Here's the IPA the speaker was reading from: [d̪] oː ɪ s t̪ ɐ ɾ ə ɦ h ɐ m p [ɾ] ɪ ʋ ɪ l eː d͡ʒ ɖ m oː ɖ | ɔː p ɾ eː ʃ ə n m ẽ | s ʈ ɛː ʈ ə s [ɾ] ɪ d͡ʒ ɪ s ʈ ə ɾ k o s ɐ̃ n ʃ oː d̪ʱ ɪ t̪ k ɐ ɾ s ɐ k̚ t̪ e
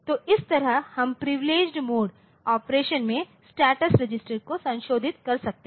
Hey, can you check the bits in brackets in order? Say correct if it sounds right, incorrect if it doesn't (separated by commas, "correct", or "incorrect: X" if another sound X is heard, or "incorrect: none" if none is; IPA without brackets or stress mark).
incorrect: t̪, correct, correct